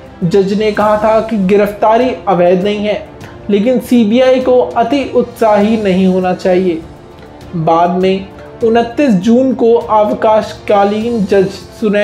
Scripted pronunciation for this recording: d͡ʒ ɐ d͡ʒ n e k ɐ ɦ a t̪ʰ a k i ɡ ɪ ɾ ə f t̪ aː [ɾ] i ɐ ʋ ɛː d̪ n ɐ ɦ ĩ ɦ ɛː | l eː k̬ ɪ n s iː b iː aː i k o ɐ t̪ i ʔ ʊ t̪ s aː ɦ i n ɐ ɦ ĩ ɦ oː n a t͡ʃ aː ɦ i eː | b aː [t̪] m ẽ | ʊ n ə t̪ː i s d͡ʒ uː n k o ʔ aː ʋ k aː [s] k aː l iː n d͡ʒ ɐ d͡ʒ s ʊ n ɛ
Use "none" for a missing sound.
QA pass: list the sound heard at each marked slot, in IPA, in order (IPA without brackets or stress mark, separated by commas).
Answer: ɾ, d̪, ʃ